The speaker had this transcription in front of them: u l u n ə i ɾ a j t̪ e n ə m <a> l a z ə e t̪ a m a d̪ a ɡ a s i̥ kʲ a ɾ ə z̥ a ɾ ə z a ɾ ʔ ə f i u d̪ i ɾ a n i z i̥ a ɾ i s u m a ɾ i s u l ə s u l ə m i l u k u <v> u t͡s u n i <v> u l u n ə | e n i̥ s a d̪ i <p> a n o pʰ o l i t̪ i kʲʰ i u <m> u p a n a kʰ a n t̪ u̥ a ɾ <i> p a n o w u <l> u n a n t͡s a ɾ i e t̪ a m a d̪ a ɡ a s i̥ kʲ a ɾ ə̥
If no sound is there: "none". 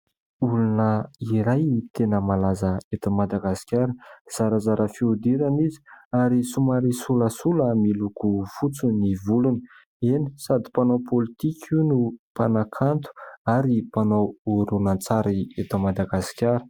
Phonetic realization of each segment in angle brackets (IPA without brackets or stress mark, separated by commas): a, f, v, p, n, i, ɾ